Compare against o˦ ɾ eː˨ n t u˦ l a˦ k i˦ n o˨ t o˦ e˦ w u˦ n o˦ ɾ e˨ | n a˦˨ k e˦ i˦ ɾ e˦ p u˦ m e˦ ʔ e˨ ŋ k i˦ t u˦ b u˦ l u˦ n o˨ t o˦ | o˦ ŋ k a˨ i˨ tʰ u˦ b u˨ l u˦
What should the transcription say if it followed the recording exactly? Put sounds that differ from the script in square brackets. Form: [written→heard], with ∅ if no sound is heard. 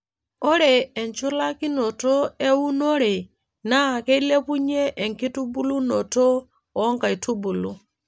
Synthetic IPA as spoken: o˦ ɾ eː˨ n [t→t͡ʃ] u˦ l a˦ k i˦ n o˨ t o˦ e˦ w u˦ n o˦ ɾ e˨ | n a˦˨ k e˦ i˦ [ɾ→l] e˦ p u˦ [m→ɲ] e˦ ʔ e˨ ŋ k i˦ t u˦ b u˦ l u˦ n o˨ t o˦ | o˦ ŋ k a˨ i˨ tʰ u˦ b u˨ l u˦